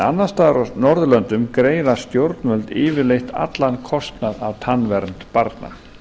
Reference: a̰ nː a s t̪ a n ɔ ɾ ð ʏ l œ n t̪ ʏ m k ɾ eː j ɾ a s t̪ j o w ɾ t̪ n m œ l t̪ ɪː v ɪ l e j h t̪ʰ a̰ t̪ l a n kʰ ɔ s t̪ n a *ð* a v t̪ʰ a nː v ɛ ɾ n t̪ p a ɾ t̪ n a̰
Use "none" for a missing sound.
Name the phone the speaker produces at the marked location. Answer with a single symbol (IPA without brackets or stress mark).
ð